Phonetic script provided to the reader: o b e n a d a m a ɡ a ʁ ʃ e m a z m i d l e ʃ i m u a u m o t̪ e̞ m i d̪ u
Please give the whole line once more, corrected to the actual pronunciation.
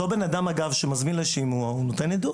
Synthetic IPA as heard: o b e n a d a m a ɡ a v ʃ e m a z m i n l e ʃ i m u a u n o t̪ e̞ n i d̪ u